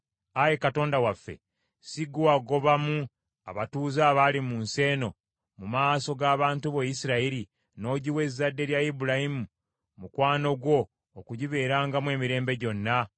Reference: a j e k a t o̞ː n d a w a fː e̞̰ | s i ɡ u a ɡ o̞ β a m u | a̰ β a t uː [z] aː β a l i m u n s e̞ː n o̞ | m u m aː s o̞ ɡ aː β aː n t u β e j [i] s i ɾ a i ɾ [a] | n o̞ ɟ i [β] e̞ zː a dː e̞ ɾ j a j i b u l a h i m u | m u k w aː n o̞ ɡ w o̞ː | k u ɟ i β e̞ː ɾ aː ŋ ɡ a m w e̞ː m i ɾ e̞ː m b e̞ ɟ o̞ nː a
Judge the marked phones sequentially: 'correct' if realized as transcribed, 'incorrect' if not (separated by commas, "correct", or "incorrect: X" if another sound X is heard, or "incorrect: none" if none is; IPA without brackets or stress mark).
correct, correct, incorrect: i, incorrect: w